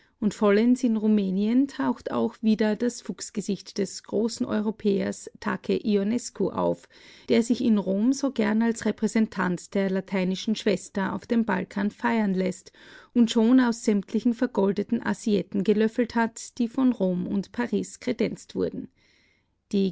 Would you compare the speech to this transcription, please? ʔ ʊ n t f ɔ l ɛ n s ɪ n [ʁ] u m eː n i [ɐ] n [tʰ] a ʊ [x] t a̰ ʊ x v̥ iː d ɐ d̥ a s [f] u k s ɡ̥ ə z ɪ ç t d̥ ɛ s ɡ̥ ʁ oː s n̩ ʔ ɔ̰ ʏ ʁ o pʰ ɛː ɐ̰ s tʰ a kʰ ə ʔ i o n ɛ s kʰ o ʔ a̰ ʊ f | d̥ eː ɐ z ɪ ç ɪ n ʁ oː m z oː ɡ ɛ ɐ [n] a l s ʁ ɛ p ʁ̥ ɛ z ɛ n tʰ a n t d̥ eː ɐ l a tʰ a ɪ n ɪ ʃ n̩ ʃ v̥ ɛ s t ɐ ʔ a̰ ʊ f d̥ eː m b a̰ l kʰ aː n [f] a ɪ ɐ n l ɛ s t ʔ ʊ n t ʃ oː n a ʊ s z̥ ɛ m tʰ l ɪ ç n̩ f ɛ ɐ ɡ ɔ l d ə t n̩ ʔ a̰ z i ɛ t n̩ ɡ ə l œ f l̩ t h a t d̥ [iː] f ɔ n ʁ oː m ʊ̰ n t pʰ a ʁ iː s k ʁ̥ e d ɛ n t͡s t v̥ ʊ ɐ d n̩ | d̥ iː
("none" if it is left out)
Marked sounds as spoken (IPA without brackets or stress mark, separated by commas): ʁ, ə, tʰ, x, f, n, f, iː